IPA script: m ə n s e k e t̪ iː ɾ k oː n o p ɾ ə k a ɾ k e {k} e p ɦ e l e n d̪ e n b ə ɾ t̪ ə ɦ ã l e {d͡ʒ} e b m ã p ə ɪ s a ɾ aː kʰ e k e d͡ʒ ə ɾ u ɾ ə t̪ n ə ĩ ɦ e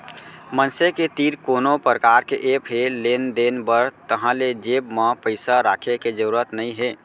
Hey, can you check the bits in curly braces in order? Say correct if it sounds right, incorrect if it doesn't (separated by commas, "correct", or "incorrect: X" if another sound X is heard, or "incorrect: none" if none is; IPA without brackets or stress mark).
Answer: incorrect: ʔ, correct